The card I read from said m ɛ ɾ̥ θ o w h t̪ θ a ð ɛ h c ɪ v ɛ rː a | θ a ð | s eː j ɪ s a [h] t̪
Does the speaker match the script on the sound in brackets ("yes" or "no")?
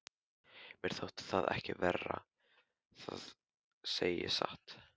yes